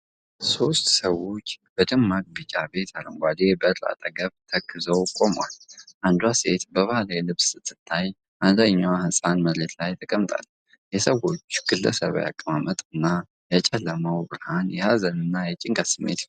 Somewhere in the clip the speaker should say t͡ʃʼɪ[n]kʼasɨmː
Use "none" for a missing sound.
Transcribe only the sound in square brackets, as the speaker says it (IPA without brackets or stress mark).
ŋ